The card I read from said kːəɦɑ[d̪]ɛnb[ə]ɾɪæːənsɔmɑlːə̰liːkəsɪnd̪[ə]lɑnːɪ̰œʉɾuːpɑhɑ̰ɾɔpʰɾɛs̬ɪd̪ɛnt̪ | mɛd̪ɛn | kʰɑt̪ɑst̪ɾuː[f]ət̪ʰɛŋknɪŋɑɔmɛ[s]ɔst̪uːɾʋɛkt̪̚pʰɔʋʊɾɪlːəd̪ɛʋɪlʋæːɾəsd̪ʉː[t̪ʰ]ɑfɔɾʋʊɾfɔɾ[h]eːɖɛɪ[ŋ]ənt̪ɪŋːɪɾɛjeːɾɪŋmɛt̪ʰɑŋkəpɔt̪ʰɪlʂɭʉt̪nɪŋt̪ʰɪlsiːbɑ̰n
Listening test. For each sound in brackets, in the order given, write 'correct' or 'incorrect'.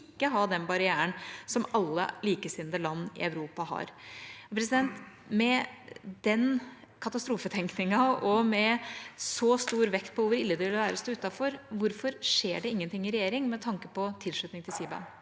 correct, incorrect: ɑ, correct, correct, correct, incorrect: t̪, incorrect: ʂ, incorrect: ŋː

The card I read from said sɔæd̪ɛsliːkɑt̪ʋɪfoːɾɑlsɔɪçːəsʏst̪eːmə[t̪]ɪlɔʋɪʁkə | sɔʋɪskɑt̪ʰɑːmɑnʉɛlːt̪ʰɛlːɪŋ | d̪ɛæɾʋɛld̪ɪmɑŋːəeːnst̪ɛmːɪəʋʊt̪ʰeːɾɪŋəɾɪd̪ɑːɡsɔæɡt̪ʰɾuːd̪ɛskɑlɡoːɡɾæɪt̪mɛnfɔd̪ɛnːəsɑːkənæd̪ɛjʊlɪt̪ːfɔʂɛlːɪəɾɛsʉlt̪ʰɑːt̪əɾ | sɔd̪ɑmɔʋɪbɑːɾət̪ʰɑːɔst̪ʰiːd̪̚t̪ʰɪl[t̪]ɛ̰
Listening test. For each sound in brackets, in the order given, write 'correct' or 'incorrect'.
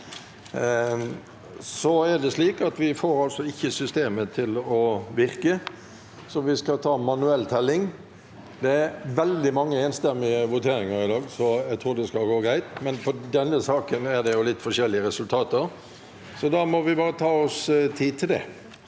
incorrect: t̪ʰ, incorrect: d̪

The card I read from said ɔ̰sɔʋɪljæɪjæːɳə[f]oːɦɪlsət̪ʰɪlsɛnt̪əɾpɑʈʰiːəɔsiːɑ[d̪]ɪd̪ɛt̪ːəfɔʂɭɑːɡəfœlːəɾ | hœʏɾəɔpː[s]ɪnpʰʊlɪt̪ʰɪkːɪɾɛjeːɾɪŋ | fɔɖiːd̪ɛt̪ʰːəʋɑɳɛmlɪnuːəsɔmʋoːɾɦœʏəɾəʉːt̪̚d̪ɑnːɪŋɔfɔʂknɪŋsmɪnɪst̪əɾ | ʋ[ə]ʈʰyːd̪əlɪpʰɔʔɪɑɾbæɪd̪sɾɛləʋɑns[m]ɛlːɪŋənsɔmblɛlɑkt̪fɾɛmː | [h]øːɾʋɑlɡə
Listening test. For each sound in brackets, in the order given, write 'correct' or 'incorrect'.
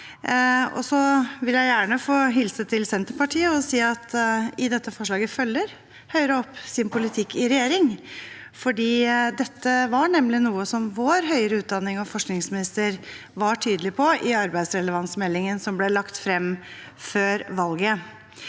correct, incorrect: t̪, correct, incorrect: ɑ, correct, incorrect: f

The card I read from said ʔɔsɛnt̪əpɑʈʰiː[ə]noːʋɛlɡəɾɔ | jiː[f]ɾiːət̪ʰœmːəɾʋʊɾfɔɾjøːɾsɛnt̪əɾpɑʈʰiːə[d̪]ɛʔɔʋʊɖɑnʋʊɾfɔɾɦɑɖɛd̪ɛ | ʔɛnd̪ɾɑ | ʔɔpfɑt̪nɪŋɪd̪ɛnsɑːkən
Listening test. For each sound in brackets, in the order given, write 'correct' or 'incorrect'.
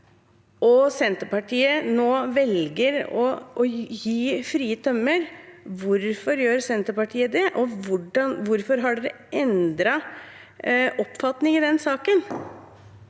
correct, correct, correct

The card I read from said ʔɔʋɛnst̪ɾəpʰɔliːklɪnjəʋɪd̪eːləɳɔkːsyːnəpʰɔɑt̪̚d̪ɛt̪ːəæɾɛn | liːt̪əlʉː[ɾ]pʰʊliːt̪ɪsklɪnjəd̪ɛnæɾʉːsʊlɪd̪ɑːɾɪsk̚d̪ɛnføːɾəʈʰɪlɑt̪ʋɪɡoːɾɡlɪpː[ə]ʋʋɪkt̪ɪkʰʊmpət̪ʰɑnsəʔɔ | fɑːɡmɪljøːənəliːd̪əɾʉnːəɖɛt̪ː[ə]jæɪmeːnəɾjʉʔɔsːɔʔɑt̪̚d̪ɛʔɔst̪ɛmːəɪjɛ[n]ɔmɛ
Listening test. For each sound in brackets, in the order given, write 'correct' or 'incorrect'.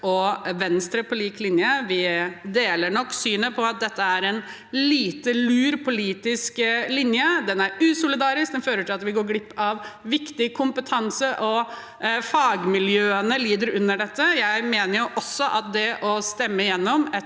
correct, incorrect: ɑ, correct, incorrect: nː

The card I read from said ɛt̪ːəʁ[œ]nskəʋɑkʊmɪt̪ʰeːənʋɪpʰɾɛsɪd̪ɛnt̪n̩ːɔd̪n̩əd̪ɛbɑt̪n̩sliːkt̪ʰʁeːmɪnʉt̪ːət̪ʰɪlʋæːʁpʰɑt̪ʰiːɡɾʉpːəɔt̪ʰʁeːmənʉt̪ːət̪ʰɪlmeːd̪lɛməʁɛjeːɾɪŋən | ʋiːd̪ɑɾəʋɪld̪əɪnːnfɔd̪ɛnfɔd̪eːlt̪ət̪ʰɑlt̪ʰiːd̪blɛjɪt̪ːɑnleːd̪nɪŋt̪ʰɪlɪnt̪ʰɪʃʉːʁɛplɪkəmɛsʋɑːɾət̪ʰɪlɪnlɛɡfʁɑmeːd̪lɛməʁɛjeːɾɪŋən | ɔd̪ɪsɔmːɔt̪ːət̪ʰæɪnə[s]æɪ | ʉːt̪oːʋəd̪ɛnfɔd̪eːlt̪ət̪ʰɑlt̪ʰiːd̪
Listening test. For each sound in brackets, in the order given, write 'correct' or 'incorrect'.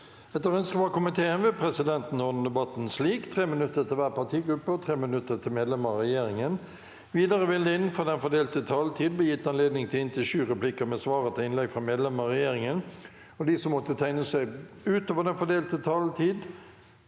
correct, correct

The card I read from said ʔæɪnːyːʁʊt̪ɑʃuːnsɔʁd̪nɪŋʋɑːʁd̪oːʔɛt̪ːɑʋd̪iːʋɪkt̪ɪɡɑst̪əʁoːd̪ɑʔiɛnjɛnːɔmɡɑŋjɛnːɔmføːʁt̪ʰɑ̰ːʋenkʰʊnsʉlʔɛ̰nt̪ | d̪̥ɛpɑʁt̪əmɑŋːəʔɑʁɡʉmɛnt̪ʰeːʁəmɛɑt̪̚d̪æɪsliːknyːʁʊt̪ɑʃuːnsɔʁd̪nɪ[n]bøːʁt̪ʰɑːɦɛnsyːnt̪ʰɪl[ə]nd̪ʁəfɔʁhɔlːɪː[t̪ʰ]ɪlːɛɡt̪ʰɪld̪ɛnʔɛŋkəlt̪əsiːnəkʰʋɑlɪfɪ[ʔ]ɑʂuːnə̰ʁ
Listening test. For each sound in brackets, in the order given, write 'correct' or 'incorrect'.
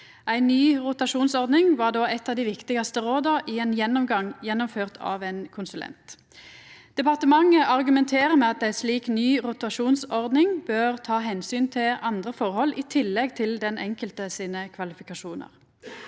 incorrect: ŋ, incorrect: ɑ, correct, incorrect: k

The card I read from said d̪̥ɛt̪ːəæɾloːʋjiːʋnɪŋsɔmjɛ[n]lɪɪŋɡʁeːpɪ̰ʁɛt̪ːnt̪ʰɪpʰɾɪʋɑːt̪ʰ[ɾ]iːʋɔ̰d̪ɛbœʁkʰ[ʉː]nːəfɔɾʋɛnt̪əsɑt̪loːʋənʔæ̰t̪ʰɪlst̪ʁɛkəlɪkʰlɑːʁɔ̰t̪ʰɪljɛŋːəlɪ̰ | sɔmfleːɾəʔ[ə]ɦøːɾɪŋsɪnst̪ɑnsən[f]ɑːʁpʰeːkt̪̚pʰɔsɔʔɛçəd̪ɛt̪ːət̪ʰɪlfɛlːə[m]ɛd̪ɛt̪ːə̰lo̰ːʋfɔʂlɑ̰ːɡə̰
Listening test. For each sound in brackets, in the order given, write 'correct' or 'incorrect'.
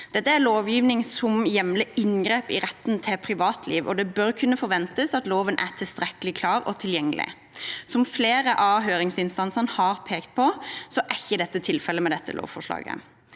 incorrect: m, incorrect: l, incorrect: ʉ, incorrect: ɑ, incorrect: h, correct

